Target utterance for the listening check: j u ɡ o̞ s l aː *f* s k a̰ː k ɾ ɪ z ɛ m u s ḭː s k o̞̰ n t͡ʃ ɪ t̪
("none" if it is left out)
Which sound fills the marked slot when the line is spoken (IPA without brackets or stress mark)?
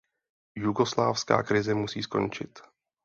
f